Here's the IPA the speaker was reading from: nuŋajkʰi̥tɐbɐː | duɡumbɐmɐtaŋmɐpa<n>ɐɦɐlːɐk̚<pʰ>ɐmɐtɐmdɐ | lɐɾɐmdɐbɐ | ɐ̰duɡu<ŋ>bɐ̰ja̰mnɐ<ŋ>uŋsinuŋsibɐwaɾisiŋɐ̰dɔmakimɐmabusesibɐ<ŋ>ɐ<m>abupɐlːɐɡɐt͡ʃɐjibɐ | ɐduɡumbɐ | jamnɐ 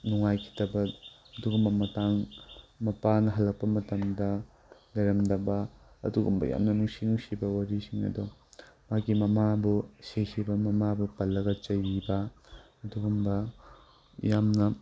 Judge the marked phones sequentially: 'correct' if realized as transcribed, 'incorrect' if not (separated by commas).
correct, incorrect, incorrect, incorrect, incorrect, correct